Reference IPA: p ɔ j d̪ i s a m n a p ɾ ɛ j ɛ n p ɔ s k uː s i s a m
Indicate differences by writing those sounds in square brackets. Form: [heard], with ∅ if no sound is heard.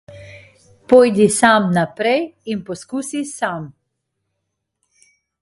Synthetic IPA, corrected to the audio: p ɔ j d̪ i s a m n a p ɾ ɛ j [i] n p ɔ s k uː s i s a m